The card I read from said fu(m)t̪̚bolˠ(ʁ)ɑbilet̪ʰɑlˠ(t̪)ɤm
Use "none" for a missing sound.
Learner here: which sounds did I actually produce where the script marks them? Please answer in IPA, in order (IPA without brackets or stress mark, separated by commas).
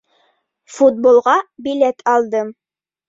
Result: none, ʁ, d̪